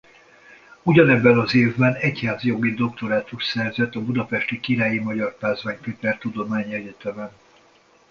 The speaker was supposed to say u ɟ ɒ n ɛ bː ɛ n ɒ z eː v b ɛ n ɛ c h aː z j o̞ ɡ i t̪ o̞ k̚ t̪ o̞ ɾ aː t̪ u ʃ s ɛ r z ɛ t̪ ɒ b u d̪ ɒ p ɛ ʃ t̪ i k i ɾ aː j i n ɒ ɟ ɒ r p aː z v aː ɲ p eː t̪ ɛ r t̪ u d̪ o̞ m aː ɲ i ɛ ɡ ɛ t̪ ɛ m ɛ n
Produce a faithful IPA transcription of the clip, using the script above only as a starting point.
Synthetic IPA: u ɟ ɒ n ɛ bː ɛ n ɒ z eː v b ɛ n ɛ c h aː z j o̞ ɡ i d̪ o̞ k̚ t̪ o̞ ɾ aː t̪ u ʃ s ɛ r z ɛ t̪ ɒ b u d̪ ɒ p ɛ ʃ t̪ i k i ɾ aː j i m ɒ ɟ ɒ r p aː z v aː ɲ p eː t̪ ɛ r t̪ u d̪ o̞ m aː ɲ i ɛ ɟ ɛ t̪ ɛ m ɛ n